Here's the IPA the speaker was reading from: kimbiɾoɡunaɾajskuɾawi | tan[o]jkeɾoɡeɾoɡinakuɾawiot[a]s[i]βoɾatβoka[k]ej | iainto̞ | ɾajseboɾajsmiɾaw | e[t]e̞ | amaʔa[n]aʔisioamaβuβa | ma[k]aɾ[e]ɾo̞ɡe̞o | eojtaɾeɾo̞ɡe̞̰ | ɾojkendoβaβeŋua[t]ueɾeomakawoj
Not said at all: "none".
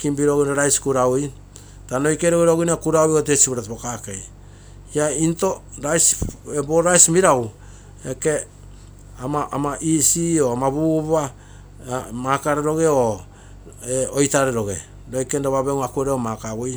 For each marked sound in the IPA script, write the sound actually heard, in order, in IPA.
o, e, i, k, k, m, k, e, k

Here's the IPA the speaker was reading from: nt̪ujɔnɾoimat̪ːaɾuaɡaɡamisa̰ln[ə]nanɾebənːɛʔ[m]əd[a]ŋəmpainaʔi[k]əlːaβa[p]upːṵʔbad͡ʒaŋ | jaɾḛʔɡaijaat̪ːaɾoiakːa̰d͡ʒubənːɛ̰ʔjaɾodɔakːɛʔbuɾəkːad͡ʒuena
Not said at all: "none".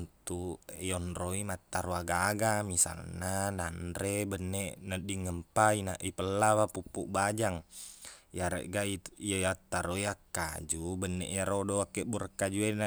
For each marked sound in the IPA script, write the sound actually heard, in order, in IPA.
a, n, i, p, p

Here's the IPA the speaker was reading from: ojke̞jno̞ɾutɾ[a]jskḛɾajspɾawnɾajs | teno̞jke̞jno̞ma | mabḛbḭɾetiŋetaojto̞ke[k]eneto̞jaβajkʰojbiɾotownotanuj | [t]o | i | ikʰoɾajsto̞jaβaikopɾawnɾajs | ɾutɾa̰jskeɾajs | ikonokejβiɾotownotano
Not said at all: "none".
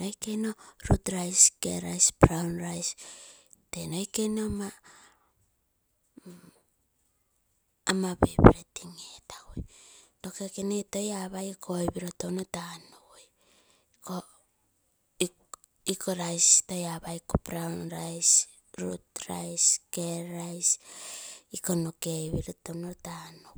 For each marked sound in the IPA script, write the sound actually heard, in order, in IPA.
a, k, k

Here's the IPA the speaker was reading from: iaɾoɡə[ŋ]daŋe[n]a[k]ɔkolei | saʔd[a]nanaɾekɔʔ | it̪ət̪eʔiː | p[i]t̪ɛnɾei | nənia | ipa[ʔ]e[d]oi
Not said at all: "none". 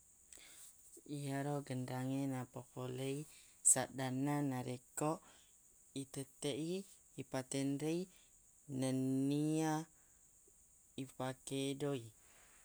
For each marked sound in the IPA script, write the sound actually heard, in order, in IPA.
n, n, p, a, a, k, d

